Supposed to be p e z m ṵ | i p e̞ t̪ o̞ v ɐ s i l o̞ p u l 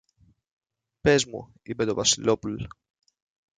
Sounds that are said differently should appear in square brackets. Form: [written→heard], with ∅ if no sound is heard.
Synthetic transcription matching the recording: p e z m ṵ | i p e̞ t̪ o̞ v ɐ s i l o̞ p u l